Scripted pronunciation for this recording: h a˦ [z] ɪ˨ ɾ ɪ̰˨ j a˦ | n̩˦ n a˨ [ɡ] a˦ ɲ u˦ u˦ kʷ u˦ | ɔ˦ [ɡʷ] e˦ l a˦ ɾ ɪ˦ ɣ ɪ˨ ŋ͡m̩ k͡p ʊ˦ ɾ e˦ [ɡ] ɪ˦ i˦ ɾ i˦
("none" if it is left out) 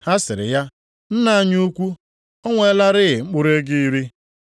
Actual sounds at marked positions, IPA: s, none, ŋʷ, ɡ

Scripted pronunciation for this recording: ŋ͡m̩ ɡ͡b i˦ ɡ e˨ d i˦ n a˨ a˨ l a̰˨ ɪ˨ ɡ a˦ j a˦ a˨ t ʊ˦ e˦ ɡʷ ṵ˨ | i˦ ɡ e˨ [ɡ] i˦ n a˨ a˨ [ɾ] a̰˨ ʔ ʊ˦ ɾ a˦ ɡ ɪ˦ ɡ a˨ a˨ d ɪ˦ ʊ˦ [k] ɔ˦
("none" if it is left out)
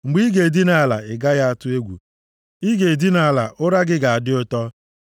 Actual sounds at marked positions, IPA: d, l, t

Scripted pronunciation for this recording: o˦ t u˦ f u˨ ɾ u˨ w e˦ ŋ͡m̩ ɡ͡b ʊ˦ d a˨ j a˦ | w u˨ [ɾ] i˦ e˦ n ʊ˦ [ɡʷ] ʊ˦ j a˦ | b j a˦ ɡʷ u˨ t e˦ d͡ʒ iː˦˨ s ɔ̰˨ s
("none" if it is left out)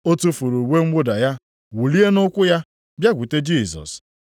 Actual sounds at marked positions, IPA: l, kʷ

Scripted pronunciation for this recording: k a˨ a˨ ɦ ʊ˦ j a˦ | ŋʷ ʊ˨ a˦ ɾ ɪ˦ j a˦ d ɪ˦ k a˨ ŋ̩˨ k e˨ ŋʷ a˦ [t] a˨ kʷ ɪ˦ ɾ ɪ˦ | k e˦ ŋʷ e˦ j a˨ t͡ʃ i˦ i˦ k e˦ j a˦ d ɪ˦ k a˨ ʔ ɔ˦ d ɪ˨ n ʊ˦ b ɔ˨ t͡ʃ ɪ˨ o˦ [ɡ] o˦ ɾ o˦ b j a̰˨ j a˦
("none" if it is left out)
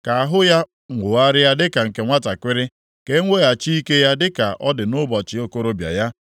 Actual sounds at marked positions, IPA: t, k

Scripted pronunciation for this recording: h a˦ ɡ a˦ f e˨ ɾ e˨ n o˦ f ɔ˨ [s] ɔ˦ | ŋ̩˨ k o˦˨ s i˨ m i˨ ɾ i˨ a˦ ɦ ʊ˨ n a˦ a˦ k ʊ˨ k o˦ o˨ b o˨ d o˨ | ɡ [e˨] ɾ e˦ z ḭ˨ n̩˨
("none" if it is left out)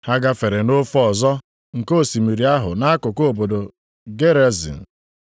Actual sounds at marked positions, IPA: z, e˦

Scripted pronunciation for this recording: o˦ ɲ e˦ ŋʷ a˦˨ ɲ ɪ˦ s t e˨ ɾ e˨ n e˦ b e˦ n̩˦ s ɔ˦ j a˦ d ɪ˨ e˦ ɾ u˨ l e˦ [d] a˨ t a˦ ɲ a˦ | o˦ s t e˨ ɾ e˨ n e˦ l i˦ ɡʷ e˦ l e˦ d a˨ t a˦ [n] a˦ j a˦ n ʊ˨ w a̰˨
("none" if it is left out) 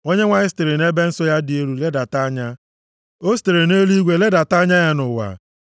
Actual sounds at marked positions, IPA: d, ɲ

